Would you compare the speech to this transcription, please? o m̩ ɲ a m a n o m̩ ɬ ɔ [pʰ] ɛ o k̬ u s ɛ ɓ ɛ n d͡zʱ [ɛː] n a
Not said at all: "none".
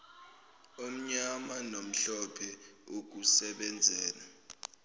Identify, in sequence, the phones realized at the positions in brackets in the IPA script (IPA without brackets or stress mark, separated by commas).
pʰ, ɛː